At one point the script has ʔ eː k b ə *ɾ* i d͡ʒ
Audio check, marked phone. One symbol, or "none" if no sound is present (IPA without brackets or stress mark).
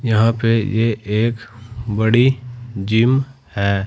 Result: ɽ